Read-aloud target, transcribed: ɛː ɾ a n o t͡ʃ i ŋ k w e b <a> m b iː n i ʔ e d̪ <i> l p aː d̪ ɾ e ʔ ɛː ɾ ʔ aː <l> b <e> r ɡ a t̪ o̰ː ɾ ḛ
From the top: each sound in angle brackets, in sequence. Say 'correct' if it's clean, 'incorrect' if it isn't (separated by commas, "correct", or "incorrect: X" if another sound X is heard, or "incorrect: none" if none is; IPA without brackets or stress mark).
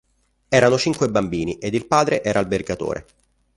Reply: correct, correct, correct, correct